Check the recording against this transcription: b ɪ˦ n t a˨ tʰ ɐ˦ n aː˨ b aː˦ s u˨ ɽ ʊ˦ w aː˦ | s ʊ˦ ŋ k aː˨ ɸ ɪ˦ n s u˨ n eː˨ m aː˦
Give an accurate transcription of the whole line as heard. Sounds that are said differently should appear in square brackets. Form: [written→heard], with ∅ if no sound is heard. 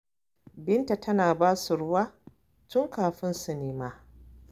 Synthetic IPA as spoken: b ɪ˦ n t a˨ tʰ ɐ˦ n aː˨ b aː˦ s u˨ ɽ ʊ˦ w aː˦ | [s→t] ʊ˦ ŋ k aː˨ ɸ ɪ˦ n s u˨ n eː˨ m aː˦